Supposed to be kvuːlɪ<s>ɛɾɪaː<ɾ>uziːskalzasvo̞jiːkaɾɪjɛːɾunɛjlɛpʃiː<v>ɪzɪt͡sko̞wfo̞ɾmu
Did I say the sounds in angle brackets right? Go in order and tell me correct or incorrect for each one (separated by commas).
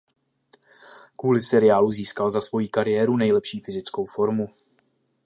correct, incorrect, incorrect